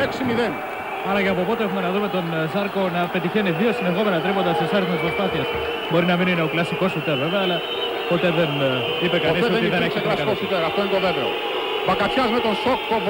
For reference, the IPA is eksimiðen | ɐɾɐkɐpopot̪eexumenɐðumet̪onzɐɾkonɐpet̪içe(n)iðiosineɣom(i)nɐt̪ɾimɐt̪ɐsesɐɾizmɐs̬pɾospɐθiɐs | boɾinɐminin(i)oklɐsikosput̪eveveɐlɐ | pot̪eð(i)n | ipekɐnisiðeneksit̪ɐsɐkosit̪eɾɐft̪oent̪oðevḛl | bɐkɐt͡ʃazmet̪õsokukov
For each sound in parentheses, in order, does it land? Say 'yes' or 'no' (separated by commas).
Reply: yes, no, no, no